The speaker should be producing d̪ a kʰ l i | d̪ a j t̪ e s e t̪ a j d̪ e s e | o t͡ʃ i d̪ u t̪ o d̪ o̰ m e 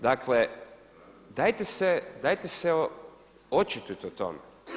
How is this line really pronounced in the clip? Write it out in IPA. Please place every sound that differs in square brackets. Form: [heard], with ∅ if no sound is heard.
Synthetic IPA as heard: d̪ a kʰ l [e] | d̪ a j t̪ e s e [d̪] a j [t̪] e s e | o t͡ʃ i [t̪] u t̪ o [t̪] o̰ m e